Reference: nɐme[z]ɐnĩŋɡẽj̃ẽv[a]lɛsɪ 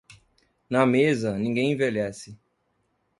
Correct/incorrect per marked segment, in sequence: correct, incorrect: e

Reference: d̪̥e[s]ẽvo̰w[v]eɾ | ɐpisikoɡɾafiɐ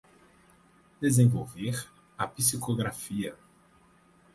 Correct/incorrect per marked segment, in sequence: incorrect: z, correct

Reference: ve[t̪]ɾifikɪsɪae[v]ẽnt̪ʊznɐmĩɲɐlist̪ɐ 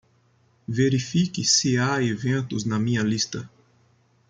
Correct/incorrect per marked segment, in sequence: incorrect: none, correct

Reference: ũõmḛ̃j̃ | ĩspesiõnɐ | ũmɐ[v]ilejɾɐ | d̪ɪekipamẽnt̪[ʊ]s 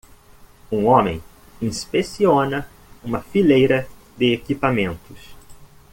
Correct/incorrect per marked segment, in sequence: incorrect: f, correct

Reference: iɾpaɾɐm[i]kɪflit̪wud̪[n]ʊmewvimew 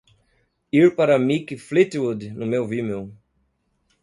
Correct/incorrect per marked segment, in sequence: correct, correct

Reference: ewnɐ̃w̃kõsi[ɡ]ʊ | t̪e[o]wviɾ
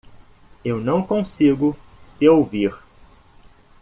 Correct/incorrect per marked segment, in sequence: correct, correct

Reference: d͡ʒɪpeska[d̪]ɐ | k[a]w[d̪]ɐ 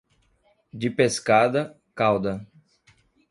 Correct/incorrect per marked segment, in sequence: correct, correct, correct

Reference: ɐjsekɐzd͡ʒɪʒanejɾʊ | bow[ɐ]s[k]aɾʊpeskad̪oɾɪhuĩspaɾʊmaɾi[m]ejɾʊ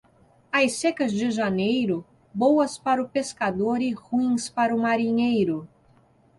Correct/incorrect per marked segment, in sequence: correct, incorrect: p, incorrect: ɲ

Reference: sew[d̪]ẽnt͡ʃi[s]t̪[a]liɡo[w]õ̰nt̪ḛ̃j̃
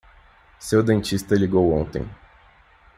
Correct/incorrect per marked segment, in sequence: correct, correct, incorrect: ɐ, correct

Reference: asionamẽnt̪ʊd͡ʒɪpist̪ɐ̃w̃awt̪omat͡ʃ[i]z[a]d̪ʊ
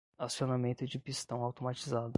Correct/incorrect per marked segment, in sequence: correct, correct

